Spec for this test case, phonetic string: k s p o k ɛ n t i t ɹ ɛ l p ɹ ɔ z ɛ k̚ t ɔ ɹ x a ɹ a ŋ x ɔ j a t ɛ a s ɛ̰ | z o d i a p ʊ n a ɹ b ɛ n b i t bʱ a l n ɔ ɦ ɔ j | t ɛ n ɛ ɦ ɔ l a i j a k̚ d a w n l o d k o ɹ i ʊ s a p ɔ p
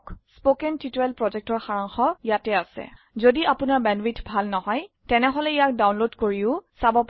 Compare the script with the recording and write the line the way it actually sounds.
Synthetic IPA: k s p o k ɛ n t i t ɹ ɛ l p ɹ ɔ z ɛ k̚ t ɔ ɹ x a ɹ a ŋ x ɔ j a t ɛ a s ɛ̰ | z o d i a p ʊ n a ɹ b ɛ n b i t bʱ a l n ɔ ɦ ɔ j | t ɛ n ɛ ɦ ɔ l ɛ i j a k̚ d a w n l o d k o ɹ i ʊ s a b ɔ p